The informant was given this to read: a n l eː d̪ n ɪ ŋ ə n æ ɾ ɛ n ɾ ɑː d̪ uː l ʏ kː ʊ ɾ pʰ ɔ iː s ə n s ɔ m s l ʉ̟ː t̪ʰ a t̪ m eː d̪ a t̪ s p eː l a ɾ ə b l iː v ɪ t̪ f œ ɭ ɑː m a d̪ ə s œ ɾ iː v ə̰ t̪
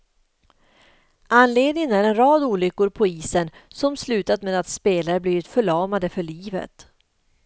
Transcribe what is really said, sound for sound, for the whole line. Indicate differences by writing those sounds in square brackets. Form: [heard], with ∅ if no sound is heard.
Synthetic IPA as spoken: a n l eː d̪ n ɪ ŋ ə n æ ɾ ɛ n ɾ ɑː d̪ uː l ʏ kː ʊ ɾ pʰ ɔ iː s ə n s ɔ m s l ʉ̟ː [t̪] a t̪ m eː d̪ a t̪ s p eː l a ɾ ə b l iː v ɪ t̪ f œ ɭ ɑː m a d̪ ə [f] œ [ɭ] iː v ə̰ t̪

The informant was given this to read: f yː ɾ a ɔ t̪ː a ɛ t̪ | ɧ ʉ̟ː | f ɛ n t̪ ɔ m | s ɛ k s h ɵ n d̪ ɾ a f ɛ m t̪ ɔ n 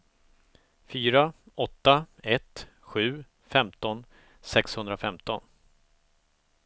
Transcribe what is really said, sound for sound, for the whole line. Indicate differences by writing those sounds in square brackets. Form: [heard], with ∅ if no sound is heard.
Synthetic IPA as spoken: f yː ɾ a ɔ t̪ː a ɛ t̪ | ɧ ʉ̟ː | f ɛ [m] t̪ ɔ [n] | s ɛ k s h ɵ n d̪ ɾ a f ɛ m t̪ ɔ n

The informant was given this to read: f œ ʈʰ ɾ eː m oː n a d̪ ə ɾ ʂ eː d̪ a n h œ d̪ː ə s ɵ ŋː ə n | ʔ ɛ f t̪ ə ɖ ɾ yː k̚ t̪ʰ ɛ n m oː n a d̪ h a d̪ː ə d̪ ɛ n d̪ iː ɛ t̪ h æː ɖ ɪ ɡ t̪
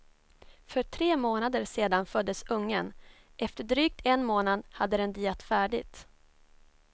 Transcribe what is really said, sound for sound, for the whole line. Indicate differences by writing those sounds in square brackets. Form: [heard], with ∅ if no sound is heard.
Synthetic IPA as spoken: f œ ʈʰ ɾ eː m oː n a d̪ ə ɾ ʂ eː d̪ a n [f] œ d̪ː ə s ɵ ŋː ə n | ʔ ɛ f t̪ ə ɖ ɾ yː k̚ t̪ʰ ɛ n m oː n a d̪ h a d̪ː ə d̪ ɛ n d̪ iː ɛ t̪ [f] æː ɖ ɪ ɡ t̪

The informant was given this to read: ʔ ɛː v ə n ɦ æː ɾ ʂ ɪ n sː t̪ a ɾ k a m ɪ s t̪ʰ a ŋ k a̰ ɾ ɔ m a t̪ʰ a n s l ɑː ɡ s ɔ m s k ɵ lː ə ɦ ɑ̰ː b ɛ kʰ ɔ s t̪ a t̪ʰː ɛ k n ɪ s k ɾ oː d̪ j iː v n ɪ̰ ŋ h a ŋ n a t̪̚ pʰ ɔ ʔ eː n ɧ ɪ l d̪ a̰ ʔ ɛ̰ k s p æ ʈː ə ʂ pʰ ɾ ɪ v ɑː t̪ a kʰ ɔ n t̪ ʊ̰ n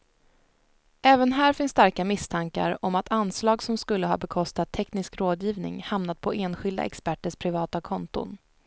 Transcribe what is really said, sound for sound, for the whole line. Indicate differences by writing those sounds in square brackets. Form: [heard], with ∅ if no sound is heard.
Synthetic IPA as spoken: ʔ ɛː v ə n ɦ æː ɾ [f] ɪ n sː t̪ a ɾ k a m ɪ s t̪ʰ a ŋ k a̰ ɾ ɔ m a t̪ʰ a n s l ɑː ɡ s ɔ m s k ɵ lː ə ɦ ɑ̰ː b ɛ kʰ ɔ s t̪ a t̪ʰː ɛ k n ɪ s k ɾ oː d̪ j iː v n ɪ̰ ŋ h a [m] n a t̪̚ pʰ ɔ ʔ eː n ɧ ɪ l d̪ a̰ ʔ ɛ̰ k s p æ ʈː ə ʂ pʰ ɾ ɪ v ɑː t̪ a kʰ ɔ n t̪ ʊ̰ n

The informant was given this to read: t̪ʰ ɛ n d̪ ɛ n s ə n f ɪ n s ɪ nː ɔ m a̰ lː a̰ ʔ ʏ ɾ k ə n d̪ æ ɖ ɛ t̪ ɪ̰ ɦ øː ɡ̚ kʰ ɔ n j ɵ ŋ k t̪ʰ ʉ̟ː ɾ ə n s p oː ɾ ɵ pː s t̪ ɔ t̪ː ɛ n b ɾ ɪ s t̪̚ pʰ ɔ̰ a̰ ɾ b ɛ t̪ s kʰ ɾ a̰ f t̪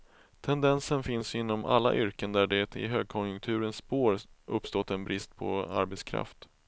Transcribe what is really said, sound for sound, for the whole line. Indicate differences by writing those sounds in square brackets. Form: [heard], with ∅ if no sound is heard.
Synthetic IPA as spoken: t̪ʰ ɛ n d̪ ɛ n s ə n f ɪ n s ɪ nː ɔ m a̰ lː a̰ ʔ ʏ ɾ k ə n d̪ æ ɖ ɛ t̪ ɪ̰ ɦ øː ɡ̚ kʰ ɔ n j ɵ ŋ k t̪ʰ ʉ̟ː ɾ ə n s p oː ɾ ɵ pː s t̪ ɔ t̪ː ɛ n b ɾ ɪ s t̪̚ pʰ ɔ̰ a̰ ɾ b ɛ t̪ s kʰ ɾ a̰ f t̪

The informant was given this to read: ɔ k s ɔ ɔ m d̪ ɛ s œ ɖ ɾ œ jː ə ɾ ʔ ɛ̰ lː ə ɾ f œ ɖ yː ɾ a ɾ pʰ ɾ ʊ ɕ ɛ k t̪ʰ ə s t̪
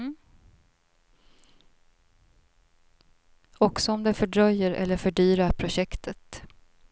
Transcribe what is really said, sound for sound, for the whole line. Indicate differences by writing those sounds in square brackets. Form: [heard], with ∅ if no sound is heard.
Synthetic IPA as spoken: ɔ k s ɔ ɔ m d̪ ɛ [f] œ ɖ ɾ œ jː ə ɾ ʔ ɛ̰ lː ə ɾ f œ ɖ yː ɾ a ɾ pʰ ɾ ʊ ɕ ɛ k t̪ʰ ə [∅] t̪

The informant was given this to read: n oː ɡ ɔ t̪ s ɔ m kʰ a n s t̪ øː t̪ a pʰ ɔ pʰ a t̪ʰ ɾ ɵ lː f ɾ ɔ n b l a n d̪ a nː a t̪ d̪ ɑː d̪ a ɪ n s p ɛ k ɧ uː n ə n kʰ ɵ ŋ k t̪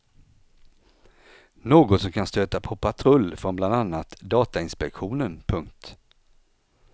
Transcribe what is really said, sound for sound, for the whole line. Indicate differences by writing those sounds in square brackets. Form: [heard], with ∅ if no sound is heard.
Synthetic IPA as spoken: n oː ɡ ɔ t̪ s ɔ m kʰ a n s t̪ øː t̪ a pʰ ɔ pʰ a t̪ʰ ɾ ɵ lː f ɾ ɔ n b l a n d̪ a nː a t̪ d̪ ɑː [t̪] a ɪ n s p ɛ k ɧ uː n ə n [pʰ] ɵ ŋ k t̪

